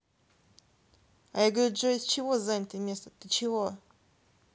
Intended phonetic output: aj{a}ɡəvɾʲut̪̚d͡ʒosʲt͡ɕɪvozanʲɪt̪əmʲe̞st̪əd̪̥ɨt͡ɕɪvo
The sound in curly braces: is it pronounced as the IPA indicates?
yes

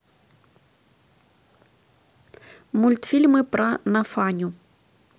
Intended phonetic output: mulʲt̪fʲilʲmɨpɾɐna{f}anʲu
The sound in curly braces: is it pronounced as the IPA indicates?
yes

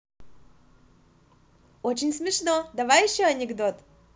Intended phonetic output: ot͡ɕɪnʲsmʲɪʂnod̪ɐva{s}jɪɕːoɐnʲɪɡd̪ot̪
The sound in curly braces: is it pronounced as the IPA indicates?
no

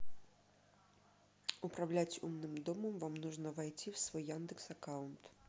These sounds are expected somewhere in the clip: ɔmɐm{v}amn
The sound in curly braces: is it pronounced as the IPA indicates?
yes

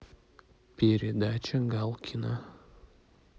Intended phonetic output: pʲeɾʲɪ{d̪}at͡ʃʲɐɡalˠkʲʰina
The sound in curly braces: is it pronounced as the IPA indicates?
yes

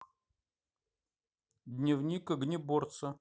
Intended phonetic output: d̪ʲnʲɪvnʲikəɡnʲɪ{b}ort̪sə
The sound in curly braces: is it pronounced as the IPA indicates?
yes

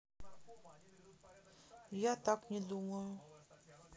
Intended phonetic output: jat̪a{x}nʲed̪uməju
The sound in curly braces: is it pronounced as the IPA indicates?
no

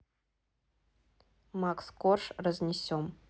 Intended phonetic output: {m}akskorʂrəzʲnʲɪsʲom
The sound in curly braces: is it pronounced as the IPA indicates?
yes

